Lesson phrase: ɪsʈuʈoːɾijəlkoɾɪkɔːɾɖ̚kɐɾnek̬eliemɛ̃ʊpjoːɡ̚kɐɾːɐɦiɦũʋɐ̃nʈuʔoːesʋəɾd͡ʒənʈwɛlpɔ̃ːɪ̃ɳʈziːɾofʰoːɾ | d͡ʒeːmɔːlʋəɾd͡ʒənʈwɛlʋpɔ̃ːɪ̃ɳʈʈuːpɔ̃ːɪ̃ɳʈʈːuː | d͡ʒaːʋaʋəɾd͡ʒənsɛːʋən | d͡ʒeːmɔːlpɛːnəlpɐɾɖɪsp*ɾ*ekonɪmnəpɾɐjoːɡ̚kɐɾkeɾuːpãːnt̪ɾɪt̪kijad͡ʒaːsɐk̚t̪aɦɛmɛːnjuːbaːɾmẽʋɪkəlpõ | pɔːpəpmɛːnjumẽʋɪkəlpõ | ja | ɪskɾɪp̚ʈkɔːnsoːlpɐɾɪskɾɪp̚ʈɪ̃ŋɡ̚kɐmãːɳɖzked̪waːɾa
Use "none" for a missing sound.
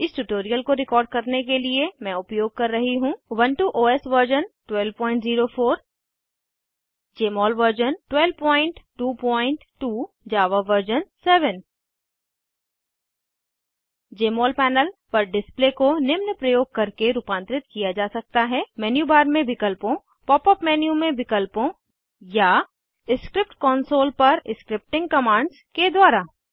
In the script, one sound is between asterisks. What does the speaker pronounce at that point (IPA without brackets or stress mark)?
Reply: l